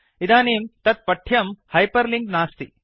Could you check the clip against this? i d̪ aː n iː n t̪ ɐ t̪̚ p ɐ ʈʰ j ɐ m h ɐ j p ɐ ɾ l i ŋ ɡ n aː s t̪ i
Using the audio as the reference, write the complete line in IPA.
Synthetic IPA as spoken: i d̪ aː n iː m t̪ ɐ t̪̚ p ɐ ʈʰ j ɐ m h ɐ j p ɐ ɾ l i ŋ ɡ n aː s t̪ i